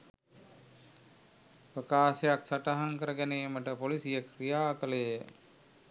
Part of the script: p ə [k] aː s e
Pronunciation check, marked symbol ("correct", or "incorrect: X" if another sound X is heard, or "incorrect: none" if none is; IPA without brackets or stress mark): correct